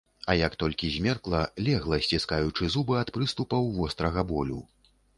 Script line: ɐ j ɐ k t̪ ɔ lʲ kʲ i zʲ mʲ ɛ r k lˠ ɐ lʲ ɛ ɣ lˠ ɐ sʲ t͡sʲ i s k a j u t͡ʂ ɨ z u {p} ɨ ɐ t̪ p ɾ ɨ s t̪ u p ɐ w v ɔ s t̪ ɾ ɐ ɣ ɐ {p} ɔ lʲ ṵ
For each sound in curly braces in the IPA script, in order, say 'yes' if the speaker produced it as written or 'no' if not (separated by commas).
no, no